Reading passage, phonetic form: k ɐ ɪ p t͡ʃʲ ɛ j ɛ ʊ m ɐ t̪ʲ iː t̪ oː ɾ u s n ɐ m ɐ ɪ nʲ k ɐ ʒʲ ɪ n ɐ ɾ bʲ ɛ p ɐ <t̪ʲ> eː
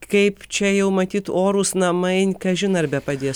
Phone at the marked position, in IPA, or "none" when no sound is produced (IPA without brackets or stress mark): d̪ʲ